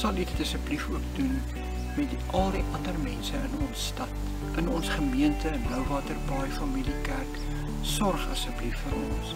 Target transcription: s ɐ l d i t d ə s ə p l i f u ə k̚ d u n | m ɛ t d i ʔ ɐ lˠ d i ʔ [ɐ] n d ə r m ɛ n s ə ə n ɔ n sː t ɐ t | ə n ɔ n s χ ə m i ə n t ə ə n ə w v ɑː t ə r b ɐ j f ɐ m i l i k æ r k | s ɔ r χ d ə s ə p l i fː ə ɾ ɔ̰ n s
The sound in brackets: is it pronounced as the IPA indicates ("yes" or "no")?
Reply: yes